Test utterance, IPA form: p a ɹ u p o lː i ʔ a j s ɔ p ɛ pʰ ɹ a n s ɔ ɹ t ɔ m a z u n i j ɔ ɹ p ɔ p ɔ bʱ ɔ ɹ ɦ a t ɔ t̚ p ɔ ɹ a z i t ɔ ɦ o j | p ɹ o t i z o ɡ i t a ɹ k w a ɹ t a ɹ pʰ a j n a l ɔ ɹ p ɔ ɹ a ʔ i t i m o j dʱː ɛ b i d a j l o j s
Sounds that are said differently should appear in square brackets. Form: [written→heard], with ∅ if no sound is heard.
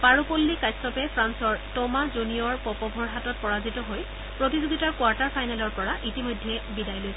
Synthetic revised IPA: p a ɹ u p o lː i [ʔ→k] a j s ɔ p ɛ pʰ ɹ a n s ɔ ɹ t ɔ m a z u n i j ɔ ɹ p ɔ p ɔ bʱ ɔ ɹ ɦ a t ɔ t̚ p ɔ ɹ a z i t ɔ ɦ o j | p ɹ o t i z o ɡ i t a ɹ k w a ɹ t a ɹ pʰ a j n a l ɔ ɹ p ɔ ɹ a ʔ i t i m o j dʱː ɛ b i d a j l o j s